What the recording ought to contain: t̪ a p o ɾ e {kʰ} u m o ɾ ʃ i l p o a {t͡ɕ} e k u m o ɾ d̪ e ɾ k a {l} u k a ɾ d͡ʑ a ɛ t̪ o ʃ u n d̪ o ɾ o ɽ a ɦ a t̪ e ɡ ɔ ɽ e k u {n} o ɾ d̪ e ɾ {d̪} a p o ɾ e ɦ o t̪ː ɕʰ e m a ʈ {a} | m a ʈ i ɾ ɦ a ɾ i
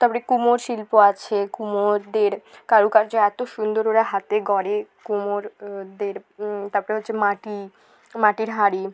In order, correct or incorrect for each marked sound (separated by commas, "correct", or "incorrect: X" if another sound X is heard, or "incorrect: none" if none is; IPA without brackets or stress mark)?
incorrect: k, incorrect: t͡ɕʰ, incorrect: ɾ, incorrect: m, incorrect: t̪, incorrect: i